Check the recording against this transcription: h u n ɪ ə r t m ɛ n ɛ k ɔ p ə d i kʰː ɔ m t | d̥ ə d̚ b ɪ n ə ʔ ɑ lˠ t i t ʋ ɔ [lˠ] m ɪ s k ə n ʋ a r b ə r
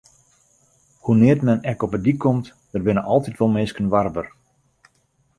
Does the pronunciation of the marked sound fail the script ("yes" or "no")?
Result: no